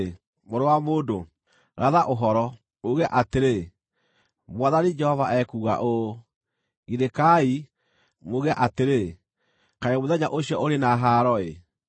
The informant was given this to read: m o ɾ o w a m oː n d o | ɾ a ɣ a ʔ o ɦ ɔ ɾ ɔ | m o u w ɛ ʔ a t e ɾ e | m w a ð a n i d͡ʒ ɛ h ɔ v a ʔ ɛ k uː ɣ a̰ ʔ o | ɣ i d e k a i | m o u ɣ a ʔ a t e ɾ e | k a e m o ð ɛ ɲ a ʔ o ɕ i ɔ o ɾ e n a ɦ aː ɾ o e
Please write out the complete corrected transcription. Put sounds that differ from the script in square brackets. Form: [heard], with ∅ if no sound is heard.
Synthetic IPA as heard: m o ɾ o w a m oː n d o | ɾ a [ð] a ʔ o ɦ ɔ ɾ ɔ | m o u [ɣ] ɛ ʔ a t e ɾ e | m w a ð a n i d͡ʒ ɛ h ɔ v a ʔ ɛ k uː ɣ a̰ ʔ o | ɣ i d e k a i | m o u ɣ [ɛ] ʔ a t e ɾ e | k a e m o ð ɛ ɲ a ʔ o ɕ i ɔ o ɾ e n a ɦ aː ɾ [ɔ] e